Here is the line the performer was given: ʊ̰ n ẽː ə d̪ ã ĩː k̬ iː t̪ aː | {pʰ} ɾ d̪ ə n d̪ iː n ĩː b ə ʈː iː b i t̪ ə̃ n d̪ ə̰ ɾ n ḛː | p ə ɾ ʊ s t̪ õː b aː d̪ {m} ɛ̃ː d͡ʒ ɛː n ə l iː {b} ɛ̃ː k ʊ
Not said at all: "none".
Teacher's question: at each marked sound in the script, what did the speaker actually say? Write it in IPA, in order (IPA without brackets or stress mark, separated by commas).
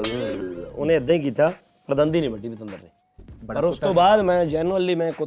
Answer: p, m, m